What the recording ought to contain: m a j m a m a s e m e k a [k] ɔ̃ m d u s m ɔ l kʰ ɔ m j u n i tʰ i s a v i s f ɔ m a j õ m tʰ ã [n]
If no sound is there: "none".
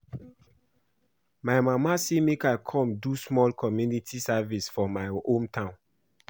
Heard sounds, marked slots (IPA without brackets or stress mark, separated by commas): kʰ, n